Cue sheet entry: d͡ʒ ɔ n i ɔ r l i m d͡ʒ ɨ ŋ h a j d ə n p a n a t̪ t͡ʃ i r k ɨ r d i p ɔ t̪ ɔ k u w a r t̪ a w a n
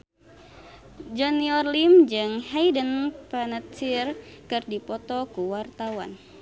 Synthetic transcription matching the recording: d͡ʒ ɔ n i ɔ r l i m d͡ʒ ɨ ŋ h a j d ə n p a n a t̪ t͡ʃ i r k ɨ r d i p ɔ t̪ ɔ k u w a r t̪ a w a n